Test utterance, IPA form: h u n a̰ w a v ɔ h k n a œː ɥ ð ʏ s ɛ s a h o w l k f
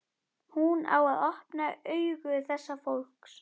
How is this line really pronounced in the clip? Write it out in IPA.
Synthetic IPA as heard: h u n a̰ w a ð ɔ h p n a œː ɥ ɣ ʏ θ ɛ sː a f o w l k s